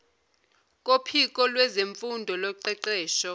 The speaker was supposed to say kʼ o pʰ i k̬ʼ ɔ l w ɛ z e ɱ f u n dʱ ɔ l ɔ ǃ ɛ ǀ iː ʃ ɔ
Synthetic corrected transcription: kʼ o pʰ i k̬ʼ ɔ l w ɛ z e ɱ f u n dʱ ɔ l ɔ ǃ ɛ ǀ ɛː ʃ ɔ